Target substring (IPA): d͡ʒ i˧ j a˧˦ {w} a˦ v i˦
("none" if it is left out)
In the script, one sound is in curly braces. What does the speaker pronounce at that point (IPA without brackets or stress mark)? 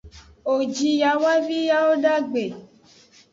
w